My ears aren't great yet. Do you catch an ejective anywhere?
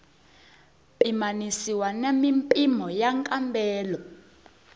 yes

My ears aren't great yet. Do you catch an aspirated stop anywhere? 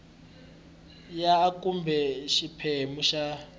yes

